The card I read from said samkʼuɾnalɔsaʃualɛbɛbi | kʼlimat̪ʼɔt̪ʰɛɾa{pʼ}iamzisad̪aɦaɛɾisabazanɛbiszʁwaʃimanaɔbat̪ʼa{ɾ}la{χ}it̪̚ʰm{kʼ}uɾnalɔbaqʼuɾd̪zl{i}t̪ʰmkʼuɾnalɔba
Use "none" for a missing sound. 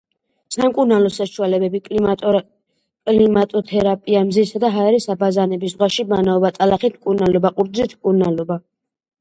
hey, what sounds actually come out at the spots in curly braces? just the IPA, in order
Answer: pʼ, none, χ, kʼ, i

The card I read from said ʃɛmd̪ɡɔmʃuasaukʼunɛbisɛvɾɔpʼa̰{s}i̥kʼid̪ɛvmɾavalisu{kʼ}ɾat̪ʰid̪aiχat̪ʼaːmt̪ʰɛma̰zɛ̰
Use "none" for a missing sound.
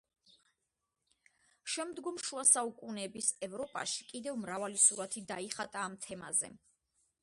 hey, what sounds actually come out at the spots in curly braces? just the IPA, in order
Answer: ʃ, none

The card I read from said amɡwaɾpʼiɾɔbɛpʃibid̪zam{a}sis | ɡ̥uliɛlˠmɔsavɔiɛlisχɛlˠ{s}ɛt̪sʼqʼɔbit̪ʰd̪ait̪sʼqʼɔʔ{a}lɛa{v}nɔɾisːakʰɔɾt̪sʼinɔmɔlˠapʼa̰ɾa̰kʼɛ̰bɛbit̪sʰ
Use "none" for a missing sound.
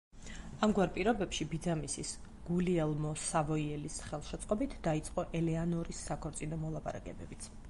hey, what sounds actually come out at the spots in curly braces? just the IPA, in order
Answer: i, ʃ, ɛ, none

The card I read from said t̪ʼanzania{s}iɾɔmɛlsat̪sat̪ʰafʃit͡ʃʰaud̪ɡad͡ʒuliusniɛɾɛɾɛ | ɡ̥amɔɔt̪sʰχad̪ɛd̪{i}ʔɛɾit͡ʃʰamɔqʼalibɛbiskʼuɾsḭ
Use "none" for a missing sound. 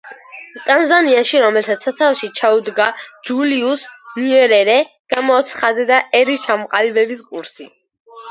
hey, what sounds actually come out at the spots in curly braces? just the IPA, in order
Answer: ʃ, a

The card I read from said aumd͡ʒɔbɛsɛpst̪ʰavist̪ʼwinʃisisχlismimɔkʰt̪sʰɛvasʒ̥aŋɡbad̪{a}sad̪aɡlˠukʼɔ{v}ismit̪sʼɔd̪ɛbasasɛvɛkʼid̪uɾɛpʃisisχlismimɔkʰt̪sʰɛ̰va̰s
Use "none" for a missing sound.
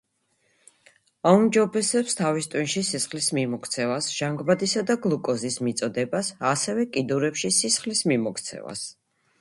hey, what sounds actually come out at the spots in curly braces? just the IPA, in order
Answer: i, z

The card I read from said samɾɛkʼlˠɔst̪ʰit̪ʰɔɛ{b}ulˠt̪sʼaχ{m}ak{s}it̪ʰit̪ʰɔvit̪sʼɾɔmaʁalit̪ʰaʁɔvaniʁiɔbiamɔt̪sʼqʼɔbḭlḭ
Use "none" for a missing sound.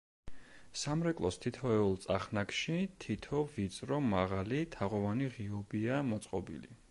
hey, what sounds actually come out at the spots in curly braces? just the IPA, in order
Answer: none, n, ʃ

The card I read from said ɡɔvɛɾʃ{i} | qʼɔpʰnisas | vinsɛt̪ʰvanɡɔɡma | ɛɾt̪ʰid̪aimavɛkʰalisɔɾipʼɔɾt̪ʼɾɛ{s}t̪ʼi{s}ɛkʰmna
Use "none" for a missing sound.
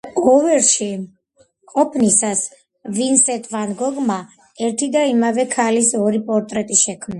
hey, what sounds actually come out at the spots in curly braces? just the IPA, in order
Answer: i, none, ʃ

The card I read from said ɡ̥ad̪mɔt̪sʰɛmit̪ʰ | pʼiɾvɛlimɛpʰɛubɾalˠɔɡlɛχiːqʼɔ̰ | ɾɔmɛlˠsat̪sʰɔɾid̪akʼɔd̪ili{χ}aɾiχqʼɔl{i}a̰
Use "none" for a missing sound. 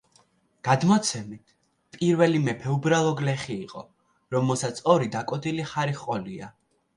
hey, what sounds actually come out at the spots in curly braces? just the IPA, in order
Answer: χ, i

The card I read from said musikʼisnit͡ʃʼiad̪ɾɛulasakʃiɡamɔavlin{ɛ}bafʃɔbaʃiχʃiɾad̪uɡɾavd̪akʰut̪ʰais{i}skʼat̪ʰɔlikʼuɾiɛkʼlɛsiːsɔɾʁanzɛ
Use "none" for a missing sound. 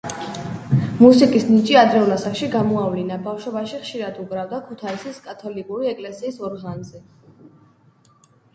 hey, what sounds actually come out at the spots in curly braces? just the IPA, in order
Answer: a, i

